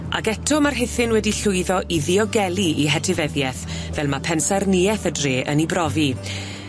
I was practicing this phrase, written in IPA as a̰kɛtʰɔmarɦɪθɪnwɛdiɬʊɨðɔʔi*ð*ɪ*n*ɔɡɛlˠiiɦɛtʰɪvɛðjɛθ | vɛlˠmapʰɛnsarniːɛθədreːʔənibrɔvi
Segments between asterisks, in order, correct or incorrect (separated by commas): correct, incorrect